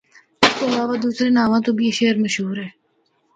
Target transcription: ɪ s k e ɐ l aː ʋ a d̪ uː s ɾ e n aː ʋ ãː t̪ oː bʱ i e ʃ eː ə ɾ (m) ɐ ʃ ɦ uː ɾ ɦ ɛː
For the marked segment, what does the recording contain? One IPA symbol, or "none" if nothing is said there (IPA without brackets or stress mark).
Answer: m